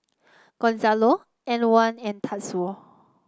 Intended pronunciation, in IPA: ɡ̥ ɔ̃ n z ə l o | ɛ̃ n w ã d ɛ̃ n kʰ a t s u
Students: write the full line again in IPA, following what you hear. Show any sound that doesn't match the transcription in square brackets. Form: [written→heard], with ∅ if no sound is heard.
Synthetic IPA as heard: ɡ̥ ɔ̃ n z [ə→a] l o | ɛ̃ n w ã [d→n] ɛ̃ n [kʰ→tʰ] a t s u

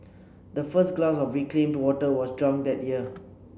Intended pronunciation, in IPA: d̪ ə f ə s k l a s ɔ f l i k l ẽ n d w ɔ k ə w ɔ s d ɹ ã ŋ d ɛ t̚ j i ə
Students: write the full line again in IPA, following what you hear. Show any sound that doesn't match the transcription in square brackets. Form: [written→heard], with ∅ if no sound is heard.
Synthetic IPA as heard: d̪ ə f ə s [k→ɡ] l a s ɔ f [l→ɹ] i k l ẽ [n→m] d w ɔ [k→t] ə w ɔ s d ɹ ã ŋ d ɛ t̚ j i ə

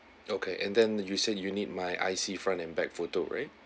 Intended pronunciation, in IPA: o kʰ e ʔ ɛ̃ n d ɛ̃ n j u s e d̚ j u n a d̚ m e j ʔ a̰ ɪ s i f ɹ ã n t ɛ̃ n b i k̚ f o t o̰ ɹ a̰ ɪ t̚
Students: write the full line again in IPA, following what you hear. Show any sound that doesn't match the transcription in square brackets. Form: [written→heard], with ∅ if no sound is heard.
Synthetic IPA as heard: o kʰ e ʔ ɛ̃ n d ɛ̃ n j u s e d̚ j u n [a→i] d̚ m [e→a] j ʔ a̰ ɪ s i f ɹ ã n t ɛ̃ n b [i→ɛ] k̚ f o t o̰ ɹ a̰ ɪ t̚

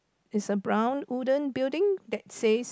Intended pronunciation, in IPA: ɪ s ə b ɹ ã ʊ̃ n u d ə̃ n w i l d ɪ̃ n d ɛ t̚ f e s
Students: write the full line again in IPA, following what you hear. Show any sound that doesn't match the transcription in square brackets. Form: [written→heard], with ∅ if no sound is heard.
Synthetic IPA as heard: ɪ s ə b ɹ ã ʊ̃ n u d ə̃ n [w→b] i l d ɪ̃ [n→ŋ] d ɛ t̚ [f→s] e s

